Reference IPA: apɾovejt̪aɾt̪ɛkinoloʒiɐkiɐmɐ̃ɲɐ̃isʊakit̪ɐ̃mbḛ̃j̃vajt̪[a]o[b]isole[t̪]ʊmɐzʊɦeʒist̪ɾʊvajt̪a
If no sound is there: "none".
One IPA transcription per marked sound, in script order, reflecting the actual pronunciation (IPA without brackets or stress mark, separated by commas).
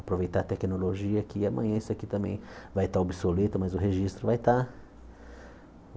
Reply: a, b, t̪